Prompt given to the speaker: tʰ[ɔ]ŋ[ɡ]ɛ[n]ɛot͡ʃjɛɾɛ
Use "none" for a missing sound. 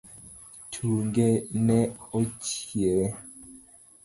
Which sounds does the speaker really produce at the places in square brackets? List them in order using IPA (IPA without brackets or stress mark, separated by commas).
u, ɡ, n